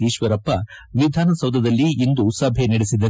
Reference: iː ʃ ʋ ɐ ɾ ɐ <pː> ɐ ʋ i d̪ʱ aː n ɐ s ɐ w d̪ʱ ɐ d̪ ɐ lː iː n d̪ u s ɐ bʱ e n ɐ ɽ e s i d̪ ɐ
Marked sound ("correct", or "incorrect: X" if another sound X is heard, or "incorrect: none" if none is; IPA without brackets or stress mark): correct